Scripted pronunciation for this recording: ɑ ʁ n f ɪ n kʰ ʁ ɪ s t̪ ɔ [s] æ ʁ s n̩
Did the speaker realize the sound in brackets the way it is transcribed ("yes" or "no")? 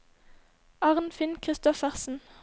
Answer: no